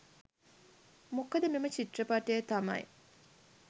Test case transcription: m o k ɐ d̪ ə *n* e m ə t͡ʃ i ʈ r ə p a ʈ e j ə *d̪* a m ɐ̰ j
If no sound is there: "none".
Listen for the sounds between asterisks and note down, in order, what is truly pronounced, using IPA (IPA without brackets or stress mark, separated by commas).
m, t̪